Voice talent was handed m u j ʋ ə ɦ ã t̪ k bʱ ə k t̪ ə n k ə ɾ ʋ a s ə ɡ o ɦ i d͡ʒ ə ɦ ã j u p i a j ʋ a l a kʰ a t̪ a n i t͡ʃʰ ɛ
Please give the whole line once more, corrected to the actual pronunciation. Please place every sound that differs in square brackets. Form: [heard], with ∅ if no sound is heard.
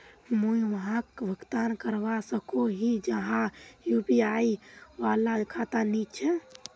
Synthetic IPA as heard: m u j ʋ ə ɦ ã [∅] k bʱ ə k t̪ [a] n k ə ɾ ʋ a s ə [k] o ɦ i d͡ʒ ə ɦ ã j u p i a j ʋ a l a kʰ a t̪ a n i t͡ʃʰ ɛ